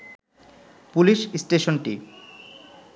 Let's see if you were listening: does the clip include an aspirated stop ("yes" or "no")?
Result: no